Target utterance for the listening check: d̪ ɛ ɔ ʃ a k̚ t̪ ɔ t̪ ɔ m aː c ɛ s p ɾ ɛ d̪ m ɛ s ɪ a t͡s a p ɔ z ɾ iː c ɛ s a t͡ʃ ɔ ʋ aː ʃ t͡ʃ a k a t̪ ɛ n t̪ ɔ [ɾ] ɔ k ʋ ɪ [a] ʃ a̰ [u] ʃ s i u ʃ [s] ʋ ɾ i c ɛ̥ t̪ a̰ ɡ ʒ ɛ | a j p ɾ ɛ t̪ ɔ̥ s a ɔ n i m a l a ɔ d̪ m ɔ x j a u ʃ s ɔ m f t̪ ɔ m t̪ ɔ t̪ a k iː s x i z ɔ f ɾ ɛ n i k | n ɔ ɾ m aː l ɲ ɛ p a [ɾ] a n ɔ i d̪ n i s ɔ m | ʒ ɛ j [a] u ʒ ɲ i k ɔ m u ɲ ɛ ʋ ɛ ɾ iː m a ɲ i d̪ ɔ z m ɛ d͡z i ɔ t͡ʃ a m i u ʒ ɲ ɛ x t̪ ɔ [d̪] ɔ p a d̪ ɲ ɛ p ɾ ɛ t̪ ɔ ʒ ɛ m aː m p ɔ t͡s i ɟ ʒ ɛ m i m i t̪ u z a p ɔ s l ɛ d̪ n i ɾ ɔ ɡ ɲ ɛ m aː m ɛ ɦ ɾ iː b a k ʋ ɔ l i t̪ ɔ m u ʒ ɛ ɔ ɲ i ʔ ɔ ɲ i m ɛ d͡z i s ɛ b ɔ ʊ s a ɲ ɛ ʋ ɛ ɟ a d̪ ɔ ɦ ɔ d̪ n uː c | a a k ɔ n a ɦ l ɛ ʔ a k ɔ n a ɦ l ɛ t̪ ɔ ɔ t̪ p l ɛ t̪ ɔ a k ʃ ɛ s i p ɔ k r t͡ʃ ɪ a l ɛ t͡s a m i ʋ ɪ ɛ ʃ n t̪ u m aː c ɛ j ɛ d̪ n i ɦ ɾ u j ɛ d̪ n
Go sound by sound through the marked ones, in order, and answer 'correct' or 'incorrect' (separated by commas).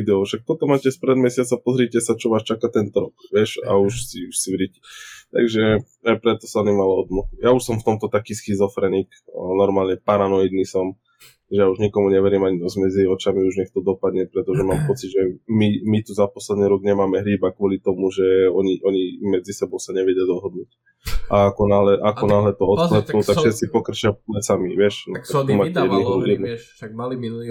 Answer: correct, incorrect, correct, correct, correct, correct, correct